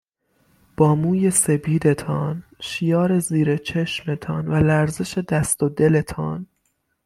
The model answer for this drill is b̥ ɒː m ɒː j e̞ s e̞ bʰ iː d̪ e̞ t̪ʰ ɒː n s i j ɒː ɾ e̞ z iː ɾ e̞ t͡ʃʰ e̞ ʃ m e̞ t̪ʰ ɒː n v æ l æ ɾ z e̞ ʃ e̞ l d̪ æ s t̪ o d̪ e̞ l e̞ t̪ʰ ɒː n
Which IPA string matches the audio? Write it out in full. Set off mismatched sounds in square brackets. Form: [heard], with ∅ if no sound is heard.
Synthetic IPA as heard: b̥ ɒː m [uː] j e̞ s e̞ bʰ iː d̪ e̞ t̪ʰ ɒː n [ʃ] i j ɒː ɾ e̞ z iː ɾ e̞ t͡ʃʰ e̞ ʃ m e̞ t̪ʰ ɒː n v æ l æ ɾ z e̞ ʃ e̞ [∅] d̪ æ s t̪ o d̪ e̞ l e̞ t̪ʰ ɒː n